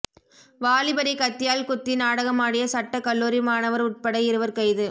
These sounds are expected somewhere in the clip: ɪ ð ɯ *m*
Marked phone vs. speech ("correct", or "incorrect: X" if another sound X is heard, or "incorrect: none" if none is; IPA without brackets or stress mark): incorrect: none